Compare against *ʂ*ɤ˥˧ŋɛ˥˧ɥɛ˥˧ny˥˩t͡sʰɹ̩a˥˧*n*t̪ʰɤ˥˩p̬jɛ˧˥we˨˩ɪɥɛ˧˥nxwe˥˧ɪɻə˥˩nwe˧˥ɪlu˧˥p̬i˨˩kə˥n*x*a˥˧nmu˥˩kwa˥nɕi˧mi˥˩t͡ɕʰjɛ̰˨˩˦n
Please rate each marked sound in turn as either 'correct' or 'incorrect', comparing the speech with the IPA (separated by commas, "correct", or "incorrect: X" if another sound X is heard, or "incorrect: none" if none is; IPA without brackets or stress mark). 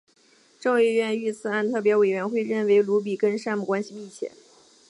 incorrect: ʈ͡ʂ, correct, incorrect: ʂ